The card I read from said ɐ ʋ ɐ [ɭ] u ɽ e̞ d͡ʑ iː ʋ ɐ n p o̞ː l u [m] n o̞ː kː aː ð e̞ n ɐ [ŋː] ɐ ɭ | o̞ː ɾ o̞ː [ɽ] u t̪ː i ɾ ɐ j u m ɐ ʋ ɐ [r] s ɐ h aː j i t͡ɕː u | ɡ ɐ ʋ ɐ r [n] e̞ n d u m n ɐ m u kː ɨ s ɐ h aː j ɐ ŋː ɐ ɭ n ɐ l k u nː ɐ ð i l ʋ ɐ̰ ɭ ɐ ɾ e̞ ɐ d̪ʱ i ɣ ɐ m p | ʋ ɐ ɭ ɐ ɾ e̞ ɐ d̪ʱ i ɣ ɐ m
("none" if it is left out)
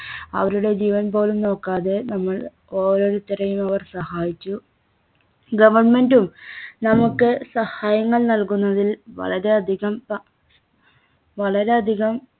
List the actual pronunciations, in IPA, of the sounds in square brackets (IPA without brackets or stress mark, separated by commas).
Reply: ɾ, m, mː, ɾ, r, m